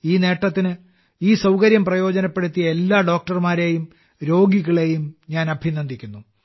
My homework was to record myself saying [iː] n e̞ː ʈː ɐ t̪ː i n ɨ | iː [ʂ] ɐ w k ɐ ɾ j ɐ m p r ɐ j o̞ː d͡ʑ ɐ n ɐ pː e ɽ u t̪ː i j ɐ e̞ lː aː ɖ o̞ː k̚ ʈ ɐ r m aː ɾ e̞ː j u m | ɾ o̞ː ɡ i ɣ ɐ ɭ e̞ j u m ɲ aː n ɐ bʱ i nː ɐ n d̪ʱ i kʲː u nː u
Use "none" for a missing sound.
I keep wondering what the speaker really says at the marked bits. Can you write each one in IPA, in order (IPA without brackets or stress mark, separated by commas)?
iː, s